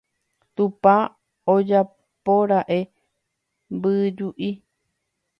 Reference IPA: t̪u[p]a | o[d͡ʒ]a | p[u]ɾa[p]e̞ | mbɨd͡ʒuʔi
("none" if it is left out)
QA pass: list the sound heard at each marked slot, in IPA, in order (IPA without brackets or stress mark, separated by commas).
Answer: p, d͡ʒ, o, ʔ